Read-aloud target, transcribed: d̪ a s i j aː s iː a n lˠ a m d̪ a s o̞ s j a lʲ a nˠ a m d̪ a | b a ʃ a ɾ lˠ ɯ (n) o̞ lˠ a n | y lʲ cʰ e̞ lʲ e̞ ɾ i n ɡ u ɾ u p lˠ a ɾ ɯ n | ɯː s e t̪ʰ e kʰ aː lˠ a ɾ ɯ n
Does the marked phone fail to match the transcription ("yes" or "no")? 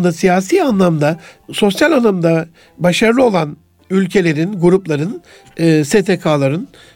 yes